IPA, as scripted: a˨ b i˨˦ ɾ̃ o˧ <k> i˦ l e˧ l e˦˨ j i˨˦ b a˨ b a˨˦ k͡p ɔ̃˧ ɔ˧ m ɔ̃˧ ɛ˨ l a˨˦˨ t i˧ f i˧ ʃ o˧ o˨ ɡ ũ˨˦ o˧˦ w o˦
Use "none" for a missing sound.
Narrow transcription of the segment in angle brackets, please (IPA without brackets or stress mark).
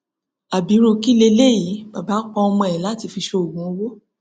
k